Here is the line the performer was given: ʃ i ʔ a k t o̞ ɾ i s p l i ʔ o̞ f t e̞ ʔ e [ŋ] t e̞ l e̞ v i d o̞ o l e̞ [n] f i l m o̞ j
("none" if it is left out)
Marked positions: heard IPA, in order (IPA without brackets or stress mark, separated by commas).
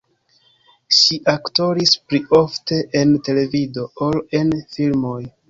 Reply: n, n